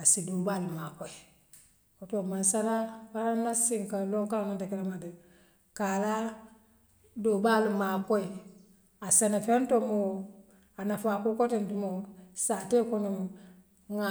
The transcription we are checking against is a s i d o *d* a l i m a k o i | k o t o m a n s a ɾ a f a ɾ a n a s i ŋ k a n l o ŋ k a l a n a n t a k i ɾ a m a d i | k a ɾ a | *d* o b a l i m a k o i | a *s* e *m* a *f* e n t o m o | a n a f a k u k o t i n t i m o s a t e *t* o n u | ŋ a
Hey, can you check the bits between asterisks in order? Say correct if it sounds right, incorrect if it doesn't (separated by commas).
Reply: incorrect, correct, correct, incorrect, correct, incorrect